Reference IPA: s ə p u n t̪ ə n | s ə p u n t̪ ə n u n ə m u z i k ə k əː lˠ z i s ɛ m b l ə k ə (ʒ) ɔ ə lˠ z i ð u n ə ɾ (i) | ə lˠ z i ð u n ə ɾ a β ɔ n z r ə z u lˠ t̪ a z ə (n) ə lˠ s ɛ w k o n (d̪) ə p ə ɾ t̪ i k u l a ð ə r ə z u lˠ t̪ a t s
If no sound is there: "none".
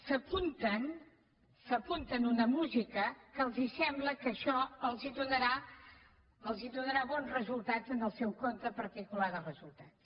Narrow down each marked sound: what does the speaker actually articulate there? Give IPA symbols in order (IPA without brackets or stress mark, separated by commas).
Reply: ʃ, a, n, t̪